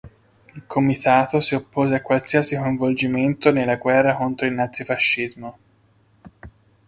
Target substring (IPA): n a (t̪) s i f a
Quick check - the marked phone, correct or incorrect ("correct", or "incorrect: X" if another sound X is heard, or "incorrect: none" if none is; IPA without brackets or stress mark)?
correct